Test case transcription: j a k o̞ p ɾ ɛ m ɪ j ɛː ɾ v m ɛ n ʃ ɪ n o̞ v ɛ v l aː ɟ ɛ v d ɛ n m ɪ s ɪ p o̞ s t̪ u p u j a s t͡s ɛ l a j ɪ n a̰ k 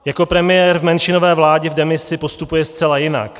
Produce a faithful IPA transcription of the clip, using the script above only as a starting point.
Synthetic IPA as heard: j a k o̞ p ɾ ɛ m ɪ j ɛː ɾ v m ɛ n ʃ ɪ n o̞ v ɛː v l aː ɟ ɛ v d ɛ m ɪ s ɪ p o̞ s t̪ u p u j ɛ s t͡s ɛ l a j ɪ n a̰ k